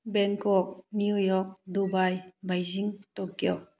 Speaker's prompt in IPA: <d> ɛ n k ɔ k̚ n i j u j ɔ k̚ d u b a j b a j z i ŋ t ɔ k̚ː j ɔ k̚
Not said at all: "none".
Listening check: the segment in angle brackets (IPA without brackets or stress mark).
b